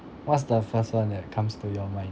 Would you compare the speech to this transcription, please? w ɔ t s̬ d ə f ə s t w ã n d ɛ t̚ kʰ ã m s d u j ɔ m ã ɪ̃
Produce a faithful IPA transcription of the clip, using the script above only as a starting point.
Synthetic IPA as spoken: w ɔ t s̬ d ə f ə s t w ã n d ɛ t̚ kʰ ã m s t u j ɔ m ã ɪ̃